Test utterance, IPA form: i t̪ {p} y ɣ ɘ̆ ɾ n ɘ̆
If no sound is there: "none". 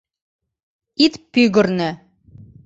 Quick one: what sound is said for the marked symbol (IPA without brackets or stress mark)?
p